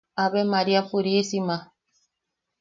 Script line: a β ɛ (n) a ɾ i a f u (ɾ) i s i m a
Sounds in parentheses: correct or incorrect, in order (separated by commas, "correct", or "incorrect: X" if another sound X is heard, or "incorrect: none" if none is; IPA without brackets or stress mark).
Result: incorrect: m, correct